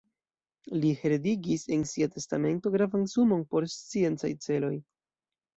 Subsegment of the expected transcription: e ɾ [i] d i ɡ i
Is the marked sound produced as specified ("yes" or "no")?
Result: no